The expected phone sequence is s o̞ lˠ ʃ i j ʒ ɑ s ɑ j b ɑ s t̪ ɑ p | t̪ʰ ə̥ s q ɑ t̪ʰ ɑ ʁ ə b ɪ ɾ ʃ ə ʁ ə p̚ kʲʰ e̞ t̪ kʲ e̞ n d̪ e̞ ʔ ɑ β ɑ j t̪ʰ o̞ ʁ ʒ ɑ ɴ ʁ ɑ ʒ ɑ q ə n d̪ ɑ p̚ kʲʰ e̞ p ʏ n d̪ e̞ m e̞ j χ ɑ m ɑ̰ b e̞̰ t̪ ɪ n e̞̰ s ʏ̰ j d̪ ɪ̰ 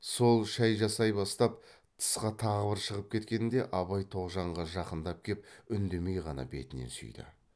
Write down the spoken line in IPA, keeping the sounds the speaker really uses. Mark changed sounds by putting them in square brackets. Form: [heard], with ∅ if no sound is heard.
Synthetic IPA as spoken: s o̞ lˠ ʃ [æ] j ʒ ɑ s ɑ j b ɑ s t̪ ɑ p | t̪ʰ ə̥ s q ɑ t̪ʰ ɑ ʁ ə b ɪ ɾ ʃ ə ʁ ə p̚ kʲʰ e̞ t̪ kʲ e̞ n d̪ e̞ ʔ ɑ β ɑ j t̪ʰ o̞ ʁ ʒ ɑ ɴ ʁ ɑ ʒ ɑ q ə n d̪ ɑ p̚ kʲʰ e̞ p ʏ n d̪ e̞ m e̞ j [ʁ] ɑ [n] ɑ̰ b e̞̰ t̪ ɪ n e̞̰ s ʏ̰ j d̪ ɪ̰